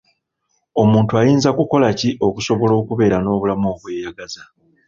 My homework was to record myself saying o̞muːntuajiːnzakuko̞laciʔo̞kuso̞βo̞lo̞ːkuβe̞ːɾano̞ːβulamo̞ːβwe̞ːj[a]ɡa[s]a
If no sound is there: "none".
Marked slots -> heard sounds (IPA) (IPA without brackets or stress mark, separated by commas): a, z